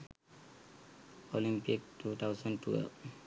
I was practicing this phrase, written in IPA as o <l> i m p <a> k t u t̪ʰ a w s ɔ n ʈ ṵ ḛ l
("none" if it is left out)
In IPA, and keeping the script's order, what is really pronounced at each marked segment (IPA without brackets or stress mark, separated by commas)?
l, i